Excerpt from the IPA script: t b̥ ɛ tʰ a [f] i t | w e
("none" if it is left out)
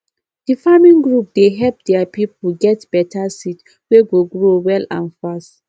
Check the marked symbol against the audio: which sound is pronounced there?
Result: s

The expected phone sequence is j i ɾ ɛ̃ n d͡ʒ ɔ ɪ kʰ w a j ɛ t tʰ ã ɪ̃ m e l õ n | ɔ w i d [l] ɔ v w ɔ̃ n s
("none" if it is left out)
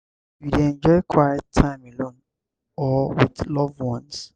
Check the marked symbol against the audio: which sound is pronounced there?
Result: l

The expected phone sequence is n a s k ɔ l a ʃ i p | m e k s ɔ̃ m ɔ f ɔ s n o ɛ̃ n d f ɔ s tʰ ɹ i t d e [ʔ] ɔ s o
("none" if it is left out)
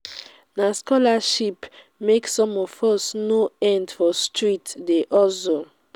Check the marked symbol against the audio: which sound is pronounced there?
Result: ʔ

